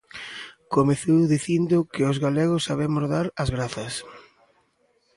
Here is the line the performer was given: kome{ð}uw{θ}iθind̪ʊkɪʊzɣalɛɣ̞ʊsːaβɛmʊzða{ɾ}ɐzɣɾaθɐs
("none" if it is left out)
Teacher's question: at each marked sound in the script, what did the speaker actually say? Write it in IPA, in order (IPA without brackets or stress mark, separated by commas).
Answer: θ, ð, ɾ